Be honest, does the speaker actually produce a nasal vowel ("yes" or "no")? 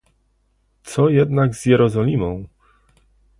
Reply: yes